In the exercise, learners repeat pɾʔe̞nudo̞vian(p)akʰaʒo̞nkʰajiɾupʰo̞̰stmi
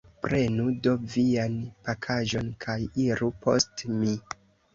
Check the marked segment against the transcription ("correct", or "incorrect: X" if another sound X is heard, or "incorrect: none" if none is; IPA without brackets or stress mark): correct